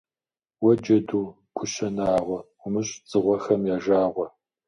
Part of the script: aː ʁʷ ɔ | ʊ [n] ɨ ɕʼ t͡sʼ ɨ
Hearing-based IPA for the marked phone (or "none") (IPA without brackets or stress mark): m